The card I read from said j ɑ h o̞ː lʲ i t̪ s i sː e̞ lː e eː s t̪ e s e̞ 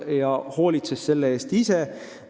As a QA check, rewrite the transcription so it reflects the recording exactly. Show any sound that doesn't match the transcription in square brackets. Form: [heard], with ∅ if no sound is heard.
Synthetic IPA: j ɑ h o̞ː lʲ i t̪ s [e] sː e̞ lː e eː s t̪ [i] s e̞